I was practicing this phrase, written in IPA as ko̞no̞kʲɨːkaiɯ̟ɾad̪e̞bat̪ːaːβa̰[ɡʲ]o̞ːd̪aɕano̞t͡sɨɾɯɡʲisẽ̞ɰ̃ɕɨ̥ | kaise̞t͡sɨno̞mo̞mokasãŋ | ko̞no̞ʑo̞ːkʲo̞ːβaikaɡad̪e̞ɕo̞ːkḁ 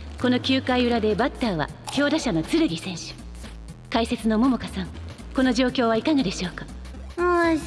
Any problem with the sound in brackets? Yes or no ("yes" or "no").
yes